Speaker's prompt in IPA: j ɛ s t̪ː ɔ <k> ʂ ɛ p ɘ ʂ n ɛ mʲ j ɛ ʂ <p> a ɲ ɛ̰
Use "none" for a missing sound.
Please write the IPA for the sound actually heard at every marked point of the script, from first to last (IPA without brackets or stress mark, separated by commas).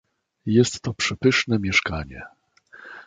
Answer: p, k